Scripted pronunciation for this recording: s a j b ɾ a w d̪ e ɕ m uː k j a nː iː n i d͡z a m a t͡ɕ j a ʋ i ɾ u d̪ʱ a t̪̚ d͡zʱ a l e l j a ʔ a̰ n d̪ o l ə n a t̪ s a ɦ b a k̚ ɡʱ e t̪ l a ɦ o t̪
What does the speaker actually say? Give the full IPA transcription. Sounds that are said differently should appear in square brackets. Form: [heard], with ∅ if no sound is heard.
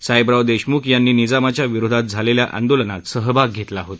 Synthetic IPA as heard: s a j b ɾ a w d̪ e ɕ m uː k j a nː iː n i d͡z a m a t͡ɕ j a ʋ i ɾ [o] d̪ʱ a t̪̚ d͡zʱ a l e l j a ʔ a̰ n d̪ o l ə n a t̪ s [ə] ɦ b a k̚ ɡʱ e t̪ l a ɦ o t̪